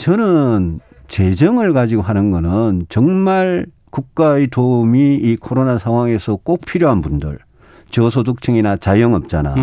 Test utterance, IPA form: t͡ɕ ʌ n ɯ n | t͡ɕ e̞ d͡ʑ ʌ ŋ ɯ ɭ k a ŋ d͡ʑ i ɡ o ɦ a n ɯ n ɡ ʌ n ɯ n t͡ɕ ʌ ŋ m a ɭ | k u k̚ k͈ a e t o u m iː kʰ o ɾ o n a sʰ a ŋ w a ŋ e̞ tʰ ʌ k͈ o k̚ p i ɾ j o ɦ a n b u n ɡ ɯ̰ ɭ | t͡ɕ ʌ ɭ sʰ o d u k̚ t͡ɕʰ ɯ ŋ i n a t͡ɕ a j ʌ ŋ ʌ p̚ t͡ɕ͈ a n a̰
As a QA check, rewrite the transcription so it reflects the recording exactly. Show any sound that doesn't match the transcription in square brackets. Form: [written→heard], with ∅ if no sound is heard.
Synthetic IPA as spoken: t͡ɕ ʌ n ɯ n | t͡ɕ e̞ d͡ʑ ʌ ŋ ɯ ɭ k a [ŋ→∅] d͡ʑ i ɡ o ɦ a n ɯ n ɡ ʌ n ɯ n t͡ɕ ʌ ŋ m a ɭ | k u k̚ k͈ a e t o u m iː kʰ o ɾ o n a sʰ a ŋ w a ŋ e̞ [tʰ→sʰ] ʌ k͈ o k̚ [p→pʰ] i ɾ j o ɦ a n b u n [ɡ→d] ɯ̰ ɭ | t͡ɕ ʌ [ɭ→∅] sʰ o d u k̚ t͡ɕʰ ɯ ŋ i n a t͡ɕ a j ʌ ŋ ʌ p̚ t͡ɕ͈ a n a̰